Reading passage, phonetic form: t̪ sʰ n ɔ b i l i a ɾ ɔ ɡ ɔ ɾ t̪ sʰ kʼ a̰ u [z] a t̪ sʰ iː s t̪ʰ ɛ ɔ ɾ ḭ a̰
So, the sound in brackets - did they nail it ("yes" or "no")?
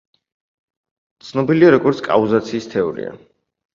yes